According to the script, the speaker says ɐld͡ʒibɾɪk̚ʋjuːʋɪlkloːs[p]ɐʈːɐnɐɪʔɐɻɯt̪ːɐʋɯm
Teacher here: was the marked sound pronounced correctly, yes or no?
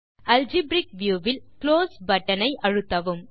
no